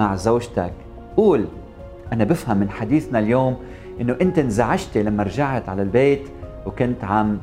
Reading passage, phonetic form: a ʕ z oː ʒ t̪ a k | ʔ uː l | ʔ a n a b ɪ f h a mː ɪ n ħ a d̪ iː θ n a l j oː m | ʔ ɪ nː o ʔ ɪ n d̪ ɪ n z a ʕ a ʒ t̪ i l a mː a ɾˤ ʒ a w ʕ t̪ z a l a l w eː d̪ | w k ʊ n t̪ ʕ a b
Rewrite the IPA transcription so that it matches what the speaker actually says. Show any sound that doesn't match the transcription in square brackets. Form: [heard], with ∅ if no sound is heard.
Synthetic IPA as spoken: a ʕ z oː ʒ t̪ a k | ʔ uː l | ʔ a n a b ɪ f h a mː ɪ n ħ a d̪ iː θ n a l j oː m | ʔ ɪ nː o ʔ ɪ n [t̪] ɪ n z a ʕ a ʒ t̪ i l a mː a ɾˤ ʒ a [∅] ʕ t̪ [ʕ] a l a l [b] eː [t̪] | w k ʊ n t̪ ʕ a [m]